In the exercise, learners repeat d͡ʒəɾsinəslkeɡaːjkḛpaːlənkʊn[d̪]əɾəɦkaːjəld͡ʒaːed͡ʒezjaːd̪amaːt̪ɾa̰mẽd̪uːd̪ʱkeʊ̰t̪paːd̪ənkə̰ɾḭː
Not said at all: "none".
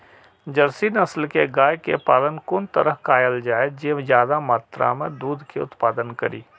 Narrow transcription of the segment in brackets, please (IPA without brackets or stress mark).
t̪